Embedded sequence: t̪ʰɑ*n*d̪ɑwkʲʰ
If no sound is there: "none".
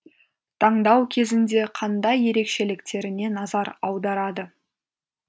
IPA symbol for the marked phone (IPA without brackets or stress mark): ɴ